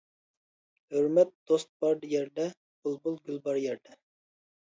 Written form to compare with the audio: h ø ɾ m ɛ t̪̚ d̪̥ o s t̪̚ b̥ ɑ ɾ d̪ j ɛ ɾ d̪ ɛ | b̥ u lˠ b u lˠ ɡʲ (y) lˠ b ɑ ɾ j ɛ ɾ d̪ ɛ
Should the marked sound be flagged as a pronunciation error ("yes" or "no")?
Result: no